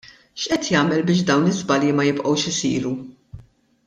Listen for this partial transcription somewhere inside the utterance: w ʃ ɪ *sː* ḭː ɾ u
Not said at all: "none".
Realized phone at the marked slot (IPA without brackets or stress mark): s